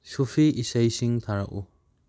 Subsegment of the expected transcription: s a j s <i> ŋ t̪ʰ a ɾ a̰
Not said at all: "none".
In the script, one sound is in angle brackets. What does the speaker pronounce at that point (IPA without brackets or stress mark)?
i